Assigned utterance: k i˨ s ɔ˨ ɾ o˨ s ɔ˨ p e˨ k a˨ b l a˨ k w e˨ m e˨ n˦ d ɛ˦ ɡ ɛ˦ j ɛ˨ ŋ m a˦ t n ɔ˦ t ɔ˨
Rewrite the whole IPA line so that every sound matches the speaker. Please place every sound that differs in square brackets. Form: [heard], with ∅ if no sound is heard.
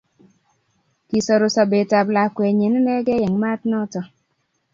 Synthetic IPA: k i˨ s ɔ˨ ɾ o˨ s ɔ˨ [b] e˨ [t] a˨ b l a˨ k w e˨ [ɲ] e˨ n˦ [n] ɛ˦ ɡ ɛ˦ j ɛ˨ ŋ m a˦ t n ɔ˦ t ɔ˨